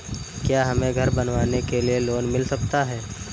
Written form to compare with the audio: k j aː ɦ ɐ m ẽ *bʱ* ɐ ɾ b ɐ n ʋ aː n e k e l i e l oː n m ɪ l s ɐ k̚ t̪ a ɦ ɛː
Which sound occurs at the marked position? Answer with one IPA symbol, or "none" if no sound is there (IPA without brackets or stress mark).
ɡʱ